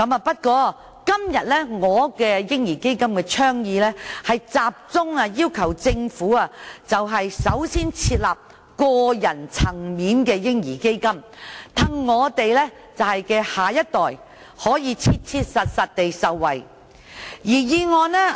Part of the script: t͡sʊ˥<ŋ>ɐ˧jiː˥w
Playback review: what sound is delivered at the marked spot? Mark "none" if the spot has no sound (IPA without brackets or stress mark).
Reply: ŋ